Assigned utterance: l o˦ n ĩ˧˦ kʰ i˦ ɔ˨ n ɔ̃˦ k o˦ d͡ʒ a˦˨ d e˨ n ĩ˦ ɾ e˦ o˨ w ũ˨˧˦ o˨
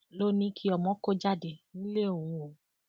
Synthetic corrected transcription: l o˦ n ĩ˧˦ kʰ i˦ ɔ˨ m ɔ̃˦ k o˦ d͡ʒ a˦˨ d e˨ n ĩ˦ l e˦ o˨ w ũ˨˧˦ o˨